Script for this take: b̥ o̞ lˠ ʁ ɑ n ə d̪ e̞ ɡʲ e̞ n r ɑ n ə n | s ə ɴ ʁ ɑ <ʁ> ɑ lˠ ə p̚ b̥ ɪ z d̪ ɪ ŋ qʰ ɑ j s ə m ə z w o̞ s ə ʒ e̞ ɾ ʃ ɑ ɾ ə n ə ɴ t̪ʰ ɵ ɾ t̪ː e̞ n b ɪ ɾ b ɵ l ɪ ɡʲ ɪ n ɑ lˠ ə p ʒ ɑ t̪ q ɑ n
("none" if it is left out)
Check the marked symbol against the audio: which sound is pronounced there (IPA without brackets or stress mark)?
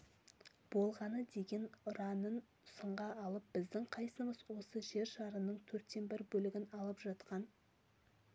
none